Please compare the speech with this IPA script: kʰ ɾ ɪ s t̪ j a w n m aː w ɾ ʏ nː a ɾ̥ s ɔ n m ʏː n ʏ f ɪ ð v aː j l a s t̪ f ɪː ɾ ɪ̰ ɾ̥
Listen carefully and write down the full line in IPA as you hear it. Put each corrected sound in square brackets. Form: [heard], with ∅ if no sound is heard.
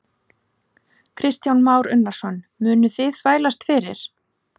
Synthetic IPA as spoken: kʰ ɾ ɪ s t̪ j a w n m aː w ɾ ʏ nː a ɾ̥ s ɔ n m ʏː n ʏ [θ] ɪ ð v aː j l a s t̪ f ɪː ɾ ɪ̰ ɾ̥